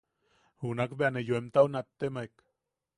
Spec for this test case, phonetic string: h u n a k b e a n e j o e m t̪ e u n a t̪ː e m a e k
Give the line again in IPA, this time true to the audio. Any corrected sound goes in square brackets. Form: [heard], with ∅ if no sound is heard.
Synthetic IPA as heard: h u n a k b e a n e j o e m t̪ [a] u n a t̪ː e m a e k